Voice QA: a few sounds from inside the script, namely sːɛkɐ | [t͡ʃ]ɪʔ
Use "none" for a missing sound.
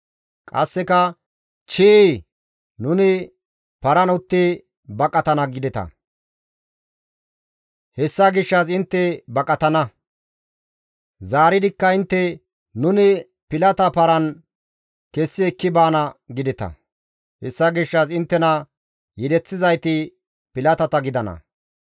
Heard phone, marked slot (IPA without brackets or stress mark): t͡ʃ